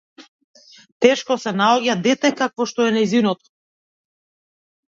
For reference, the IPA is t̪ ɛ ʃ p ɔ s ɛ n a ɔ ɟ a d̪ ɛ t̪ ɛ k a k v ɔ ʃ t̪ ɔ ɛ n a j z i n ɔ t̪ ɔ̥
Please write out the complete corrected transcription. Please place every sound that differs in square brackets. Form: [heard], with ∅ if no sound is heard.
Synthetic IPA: t̪ ɛ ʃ [k] ɔ s ɛ n a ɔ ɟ a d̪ ɛ t̪ ɛ k a k v ɔ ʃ t̪ ɔ ɛ n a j z i n ɔ t̪ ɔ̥